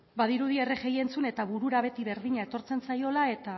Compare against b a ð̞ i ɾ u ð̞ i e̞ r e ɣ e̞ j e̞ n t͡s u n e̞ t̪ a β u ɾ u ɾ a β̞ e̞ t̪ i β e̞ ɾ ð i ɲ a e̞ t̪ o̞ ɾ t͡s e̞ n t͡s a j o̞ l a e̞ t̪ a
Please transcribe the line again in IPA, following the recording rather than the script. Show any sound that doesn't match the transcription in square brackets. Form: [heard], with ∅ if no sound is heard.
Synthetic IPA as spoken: b a ð̞ i ɾ u ð̞ i e̞ r e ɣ e̞ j e̞ n t͡s u n e̞ t̪ a β u ɾ u ɾ a β̞ e̞ t̪ i β e̞ ɾ ð i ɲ a e̞ t̪ o̞ ɾ t͡s e̞ n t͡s a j o̞ l a e̞ t̪ a